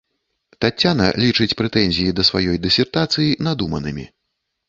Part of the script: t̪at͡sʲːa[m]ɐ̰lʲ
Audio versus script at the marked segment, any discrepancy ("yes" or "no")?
yes